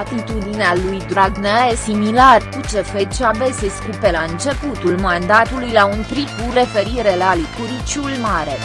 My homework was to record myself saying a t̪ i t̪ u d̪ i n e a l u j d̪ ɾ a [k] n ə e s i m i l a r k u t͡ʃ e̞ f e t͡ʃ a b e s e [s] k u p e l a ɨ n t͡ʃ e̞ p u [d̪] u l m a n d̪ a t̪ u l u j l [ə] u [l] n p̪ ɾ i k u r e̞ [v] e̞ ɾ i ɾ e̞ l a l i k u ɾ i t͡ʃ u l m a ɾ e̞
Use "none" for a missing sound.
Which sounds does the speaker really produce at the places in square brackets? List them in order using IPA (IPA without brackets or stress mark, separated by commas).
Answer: ɡ, s, t̪, a, none, f